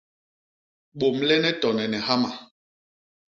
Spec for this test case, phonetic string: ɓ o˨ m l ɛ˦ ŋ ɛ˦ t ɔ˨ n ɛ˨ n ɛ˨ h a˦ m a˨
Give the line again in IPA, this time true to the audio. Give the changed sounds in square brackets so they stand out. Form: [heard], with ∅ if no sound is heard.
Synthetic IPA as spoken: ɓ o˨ m l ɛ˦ [n] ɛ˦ t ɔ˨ n ɛ˨ n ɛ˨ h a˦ m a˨

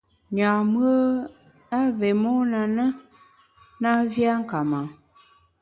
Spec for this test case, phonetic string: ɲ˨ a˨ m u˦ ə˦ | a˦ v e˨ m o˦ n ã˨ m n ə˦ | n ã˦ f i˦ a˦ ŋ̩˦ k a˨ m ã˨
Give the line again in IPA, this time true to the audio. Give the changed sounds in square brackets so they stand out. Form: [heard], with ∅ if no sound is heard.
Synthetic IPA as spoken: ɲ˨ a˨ m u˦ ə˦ | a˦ v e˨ m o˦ n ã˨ [∅] n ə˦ | n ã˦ [v] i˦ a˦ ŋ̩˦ k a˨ m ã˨

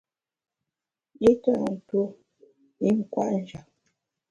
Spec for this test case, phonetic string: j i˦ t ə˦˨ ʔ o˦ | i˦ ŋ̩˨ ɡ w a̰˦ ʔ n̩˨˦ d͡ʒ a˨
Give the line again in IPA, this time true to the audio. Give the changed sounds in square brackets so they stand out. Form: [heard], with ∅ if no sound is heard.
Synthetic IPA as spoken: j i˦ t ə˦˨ [t] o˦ | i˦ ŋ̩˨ [k] w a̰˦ ʔ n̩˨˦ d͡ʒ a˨

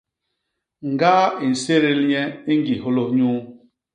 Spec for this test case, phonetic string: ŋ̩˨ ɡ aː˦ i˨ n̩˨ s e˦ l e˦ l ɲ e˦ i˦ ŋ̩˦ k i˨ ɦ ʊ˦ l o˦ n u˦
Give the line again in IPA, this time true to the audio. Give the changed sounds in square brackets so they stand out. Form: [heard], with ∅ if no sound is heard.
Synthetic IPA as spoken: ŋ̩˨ ɡ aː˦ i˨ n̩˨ s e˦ [ɾ] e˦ l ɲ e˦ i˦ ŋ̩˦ [ɡ] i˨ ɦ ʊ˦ l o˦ [ɲ] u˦

